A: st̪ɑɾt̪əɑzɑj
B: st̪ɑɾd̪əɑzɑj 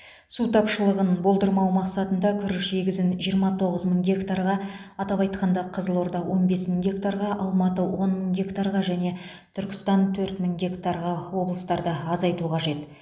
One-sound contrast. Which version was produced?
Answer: B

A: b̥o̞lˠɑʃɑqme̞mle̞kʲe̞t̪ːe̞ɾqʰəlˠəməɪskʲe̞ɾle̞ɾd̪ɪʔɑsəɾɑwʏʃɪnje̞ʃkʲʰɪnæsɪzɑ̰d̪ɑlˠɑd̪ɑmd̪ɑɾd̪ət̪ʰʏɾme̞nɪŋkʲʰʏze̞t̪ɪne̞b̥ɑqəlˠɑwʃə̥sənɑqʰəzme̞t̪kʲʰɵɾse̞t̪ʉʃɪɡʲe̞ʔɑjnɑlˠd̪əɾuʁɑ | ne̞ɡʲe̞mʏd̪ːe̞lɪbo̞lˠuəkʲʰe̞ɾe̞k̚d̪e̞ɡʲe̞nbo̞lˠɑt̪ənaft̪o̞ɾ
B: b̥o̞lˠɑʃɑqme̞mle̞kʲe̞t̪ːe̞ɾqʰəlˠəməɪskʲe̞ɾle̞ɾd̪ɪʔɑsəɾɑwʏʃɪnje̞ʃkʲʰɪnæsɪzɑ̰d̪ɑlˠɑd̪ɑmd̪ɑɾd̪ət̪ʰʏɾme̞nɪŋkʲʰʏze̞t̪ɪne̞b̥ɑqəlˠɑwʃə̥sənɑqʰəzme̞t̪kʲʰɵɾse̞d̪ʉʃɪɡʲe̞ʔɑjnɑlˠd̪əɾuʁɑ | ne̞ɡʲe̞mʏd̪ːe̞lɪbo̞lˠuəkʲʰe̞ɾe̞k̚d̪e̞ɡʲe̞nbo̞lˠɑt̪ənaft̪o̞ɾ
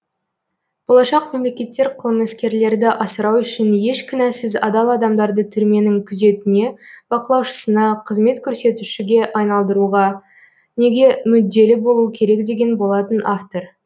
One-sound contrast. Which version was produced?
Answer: A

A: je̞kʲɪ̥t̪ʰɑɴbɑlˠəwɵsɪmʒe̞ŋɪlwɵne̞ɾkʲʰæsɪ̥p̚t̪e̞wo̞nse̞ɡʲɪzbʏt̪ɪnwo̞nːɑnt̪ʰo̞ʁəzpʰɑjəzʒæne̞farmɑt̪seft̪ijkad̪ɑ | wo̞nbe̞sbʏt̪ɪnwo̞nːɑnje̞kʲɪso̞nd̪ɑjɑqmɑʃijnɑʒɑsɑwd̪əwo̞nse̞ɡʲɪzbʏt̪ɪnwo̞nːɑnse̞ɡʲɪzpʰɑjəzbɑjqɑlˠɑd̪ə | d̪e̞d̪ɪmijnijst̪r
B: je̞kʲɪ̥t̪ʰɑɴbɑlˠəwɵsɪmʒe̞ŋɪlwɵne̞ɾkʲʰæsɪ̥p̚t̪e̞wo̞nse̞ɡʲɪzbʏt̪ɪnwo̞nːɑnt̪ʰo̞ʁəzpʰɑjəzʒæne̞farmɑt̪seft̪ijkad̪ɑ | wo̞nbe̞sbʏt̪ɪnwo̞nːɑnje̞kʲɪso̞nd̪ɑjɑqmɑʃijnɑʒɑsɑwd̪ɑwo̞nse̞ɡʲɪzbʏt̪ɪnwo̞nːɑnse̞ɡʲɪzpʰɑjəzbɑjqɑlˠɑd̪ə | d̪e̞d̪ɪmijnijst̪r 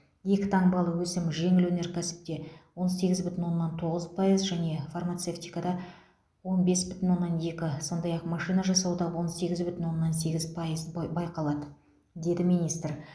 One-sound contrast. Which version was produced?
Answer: B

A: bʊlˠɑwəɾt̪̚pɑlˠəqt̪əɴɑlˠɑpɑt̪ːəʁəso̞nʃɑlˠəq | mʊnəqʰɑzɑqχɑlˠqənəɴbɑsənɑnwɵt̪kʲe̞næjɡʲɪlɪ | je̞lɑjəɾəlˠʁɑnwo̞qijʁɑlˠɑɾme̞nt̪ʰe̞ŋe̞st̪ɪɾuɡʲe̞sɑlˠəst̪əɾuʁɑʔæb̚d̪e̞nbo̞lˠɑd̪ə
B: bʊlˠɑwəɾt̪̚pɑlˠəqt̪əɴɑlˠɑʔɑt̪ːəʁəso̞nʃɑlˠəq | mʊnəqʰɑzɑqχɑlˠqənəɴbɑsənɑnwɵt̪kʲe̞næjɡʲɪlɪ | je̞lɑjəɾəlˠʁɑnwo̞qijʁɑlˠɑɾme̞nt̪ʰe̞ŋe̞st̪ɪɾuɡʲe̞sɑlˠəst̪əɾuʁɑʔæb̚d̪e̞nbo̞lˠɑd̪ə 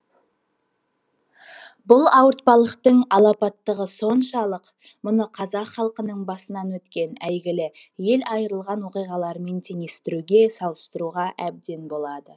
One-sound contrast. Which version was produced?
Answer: A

